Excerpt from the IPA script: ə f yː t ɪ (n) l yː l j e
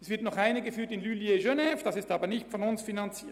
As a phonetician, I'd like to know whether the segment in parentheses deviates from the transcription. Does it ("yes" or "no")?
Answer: no